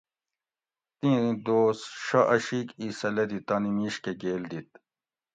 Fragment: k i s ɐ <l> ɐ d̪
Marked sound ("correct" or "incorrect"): correct